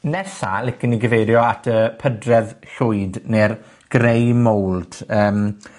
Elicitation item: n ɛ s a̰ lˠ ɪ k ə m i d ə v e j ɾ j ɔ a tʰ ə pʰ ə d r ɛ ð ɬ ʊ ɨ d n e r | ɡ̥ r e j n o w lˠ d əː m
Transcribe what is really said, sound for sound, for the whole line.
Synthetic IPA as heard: n ɛ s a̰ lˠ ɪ k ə n i ɡ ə v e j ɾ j ɔ a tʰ ə pʰ ə d r ɛ ð ɬ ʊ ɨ d n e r | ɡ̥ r e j m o w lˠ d əː m